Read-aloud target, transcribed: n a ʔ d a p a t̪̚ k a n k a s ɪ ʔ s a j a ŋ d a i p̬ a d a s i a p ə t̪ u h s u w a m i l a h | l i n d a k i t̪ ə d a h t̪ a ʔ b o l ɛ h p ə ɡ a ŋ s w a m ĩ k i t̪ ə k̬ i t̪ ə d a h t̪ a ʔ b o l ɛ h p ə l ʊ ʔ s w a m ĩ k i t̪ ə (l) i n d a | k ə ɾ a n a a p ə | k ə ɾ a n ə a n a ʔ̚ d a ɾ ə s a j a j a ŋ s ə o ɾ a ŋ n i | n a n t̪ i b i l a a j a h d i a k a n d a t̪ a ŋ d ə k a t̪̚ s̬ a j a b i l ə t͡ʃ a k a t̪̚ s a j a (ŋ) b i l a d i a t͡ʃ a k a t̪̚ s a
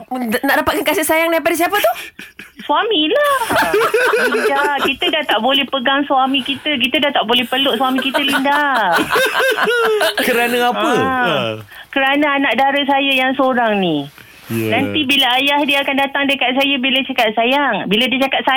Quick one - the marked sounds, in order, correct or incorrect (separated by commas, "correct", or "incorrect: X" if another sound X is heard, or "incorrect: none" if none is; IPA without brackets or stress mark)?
correct, correct